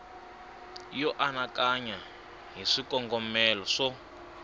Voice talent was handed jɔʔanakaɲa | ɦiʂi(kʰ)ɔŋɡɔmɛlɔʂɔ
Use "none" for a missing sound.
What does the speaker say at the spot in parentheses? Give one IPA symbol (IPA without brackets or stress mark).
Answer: k